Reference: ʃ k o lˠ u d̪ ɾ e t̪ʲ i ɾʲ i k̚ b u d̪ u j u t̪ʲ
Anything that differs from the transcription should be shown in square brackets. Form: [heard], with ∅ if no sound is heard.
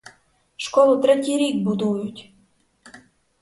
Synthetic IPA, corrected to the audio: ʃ k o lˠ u [t̪] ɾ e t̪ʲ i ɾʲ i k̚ b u d̪ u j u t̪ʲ